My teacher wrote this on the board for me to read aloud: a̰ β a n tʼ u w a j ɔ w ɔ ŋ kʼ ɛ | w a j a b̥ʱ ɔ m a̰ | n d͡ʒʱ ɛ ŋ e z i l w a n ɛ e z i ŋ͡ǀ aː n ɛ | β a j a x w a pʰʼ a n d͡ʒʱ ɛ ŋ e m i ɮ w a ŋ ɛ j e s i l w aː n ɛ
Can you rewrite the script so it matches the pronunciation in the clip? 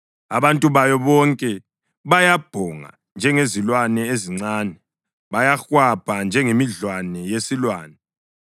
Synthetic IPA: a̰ β a n tʼ u β a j ɔ β ɔ ŋ kʼ ɛ | β a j a b̥ʱ ɔ ŋ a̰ | n d͡ʒʱ ɛ ŋ e z i l w a n ɛ e z i ŋ͡ǀ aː n ɛ | β a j a x w a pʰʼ a n d͡ʒʱ ɛ ŋ e m i ɮ w a n ɛ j e s i l w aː n ɛ